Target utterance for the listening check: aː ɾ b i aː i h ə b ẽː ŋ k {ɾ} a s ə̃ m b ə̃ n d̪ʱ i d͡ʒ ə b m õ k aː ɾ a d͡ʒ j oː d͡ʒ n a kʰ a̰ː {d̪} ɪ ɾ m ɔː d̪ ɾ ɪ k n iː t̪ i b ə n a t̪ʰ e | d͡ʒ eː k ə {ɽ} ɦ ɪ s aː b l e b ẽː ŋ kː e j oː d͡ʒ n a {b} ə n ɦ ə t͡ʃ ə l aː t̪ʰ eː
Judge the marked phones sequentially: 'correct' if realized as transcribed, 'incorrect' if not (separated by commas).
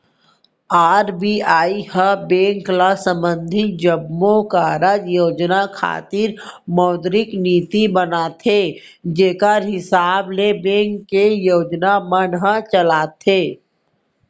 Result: incorrect, incorrect, incorrect, incorrect